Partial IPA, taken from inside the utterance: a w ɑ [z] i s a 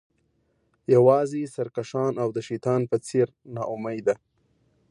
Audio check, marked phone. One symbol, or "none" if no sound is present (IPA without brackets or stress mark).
z